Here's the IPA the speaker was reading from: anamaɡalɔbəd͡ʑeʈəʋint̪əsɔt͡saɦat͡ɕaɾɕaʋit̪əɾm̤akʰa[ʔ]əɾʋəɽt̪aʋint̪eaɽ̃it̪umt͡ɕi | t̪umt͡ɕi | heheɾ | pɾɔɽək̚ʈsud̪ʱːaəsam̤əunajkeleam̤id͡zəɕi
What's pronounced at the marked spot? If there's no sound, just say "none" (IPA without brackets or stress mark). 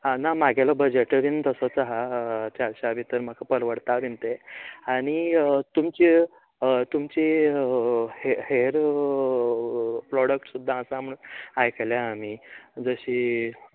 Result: p